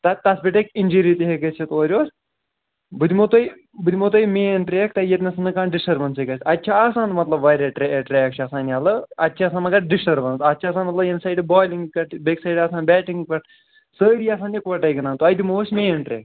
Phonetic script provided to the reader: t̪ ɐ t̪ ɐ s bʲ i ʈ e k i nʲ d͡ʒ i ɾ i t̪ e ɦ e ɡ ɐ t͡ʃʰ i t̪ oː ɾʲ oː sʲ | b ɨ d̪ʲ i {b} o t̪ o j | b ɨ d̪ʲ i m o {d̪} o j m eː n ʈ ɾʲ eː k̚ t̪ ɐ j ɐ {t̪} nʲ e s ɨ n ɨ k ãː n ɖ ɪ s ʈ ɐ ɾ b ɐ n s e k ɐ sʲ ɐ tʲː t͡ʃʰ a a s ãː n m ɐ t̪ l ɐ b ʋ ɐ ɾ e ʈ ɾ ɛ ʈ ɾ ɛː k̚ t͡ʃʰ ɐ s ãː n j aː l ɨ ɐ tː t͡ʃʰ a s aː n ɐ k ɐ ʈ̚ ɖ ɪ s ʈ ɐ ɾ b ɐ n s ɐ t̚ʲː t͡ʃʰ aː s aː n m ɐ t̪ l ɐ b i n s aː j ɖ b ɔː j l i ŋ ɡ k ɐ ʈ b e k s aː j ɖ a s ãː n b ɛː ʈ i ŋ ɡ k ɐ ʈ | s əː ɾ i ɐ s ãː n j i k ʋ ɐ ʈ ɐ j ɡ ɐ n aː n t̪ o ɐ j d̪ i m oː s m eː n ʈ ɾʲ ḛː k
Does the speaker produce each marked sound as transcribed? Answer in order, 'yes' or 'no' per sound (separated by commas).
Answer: no, no, yes